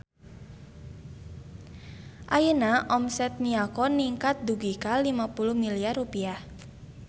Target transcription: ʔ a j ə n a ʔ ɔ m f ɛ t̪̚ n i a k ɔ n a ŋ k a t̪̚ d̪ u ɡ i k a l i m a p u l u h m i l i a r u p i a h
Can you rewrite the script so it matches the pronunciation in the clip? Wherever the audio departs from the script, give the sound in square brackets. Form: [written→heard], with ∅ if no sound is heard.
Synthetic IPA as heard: ʔ a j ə n a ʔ ɔ m [f→s] ɛ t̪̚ n i a k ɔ n [a→i] ŋ k a t̪̚ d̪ u ɡ i k a l i m a p u l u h m i l i a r u p i a h